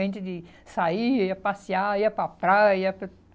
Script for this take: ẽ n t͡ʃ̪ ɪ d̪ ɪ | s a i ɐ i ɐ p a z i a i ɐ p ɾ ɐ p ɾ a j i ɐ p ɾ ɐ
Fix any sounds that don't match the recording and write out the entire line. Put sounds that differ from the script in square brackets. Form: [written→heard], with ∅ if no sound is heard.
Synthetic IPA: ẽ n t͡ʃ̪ ɪ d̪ ɪ | s a i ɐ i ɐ p a [z→s] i a i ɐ p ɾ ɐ p ɾ a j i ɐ p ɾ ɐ